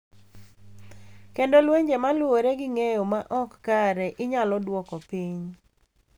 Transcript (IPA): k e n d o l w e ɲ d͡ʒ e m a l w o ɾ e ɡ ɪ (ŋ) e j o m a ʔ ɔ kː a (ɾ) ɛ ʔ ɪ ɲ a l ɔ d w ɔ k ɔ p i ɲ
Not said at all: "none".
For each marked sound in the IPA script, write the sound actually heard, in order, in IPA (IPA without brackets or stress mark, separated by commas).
ŋ, ɾ